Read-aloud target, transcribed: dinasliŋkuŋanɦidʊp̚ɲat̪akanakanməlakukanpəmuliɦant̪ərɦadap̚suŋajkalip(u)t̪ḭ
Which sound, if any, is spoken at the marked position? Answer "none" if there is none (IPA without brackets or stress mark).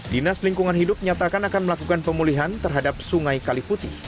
u